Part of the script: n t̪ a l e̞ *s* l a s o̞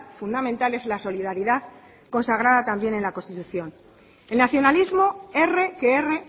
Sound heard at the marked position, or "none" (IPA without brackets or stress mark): z